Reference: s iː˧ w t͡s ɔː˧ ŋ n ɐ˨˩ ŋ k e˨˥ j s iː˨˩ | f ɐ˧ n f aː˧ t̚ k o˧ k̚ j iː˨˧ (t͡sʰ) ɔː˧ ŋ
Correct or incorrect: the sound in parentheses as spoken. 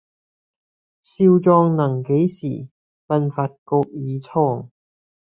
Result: correct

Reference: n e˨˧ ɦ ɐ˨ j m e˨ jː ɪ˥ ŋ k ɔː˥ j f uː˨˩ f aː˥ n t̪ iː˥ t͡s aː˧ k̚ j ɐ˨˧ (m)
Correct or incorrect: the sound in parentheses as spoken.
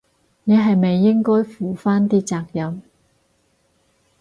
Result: correct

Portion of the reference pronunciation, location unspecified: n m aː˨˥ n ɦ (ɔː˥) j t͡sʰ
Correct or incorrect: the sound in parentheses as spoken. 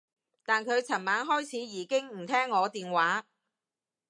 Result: correct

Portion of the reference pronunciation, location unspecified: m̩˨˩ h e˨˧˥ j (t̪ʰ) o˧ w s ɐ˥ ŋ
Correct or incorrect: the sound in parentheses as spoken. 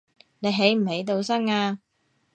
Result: incorrect: t̪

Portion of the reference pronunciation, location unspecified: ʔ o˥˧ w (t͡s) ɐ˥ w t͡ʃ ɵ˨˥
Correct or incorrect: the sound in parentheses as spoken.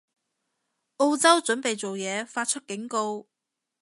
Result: correct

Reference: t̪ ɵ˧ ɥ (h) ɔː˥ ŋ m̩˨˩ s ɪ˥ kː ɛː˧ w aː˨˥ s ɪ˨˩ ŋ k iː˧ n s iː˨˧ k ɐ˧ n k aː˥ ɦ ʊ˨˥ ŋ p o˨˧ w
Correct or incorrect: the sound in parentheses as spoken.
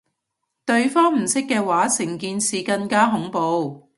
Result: incorrect: f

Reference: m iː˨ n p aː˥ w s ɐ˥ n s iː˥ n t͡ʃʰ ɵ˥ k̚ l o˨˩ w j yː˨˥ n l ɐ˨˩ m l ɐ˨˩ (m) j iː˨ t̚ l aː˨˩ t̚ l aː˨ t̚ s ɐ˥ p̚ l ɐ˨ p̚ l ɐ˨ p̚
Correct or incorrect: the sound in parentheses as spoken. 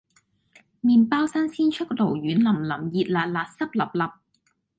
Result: correct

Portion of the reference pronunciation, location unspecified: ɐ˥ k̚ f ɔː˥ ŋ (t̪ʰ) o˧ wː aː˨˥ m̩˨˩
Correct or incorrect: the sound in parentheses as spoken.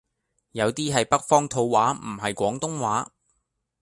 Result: correct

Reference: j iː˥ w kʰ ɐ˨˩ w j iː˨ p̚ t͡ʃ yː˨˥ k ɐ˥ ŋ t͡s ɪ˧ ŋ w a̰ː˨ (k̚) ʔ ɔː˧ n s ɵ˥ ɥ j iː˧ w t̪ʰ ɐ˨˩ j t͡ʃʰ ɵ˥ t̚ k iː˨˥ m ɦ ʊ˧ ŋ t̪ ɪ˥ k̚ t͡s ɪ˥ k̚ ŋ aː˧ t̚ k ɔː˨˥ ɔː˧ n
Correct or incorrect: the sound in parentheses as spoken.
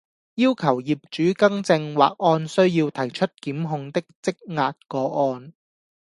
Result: correct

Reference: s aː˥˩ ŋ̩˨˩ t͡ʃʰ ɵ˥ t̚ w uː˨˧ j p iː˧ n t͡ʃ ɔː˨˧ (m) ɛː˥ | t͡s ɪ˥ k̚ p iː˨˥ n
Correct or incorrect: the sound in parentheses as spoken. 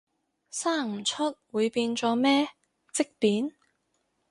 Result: correct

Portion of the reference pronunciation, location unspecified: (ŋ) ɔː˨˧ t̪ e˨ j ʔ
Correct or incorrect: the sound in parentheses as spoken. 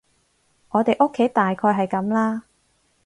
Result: correct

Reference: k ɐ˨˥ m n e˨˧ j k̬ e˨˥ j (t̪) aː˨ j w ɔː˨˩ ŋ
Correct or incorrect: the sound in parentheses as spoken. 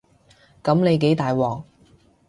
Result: correct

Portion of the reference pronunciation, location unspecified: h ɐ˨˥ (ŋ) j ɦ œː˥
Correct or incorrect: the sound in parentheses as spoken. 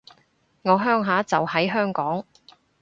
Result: incorrect: none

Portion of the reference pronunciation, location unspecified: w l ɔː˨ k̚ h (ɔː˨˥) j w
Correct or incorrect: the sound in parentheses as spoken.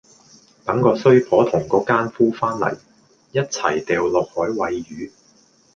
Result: correct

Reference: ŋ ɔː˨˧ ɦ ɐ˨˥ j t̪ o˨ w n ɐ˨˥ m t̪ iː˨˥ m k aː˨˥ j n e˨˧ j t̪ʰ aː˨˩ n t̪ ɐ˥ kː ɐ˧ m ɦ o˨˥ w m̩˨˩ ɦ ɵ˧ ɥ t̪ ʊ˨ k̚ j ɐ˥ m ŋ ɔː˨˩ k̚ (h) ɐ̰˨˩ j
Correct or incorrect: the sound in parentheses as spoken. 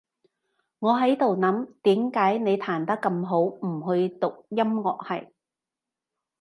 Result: correct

